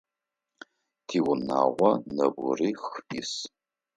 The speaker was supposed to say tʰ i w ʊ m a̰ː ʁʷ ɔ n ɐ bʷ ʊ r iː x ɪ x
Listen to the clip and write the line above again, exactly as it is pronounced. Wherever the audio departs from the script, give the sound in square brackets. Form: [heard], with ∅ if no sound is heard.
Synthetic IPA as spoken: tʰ i w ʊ [n] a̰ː ʁʷ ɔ n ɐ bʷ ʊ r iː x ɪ [s]